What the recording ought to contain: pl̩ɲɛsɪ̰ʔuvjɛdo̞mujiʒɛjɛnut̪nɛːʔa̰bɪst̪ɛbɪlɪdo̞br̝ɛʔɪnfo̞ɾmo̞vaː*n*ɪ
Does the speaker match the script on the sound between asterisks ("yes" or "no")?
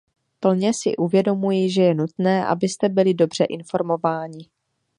no